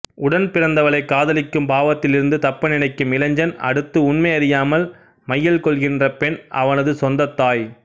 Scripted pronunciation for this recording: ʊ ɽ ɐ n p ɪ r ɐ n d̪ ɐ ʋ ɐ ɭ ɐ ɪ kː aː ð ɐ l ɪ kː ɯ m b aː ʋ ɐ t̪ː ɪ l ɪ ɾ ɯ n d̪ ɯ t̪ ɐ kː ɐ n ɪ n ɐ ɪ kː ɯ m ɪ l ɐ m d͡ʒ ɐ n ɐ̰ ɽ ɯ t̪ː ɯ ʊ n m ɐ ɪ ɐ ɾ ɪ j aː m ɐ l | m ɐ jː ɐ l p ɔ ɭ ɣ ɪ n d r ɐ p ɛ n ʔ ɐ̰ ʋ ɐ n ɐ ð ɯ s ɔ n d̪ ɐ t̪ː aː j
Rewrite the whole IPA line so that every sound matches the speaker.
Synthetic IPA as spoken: ʊ ɽ ɐ n p ɪ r ɐ n d̪ ɐ ʋ ɐ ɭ ɐ ɪ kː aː ð ɐ l ɪ kː ɯ m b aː ʋ ɐ t̪ː ɪ l ɪ ɾ ɯ n d̪ ɯ t̪ ɐ pː ɐ n ɪ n ɐ ɪ kː ɯ m ɪ l ɐ ɲ d͡ʒ ɐ n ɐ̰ ɽ ɯ t̪ː ɯ ʊ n m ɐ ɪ ɐ ɾ ɪ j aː m ɐ l | m ɐ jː ɐ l k ɔ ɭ ɣ ɪ n d r ɐ p ɛ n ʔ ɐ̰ ʋ ɐ n ɐ ð ɯ s ɔ n d̪ ɐ t̪ː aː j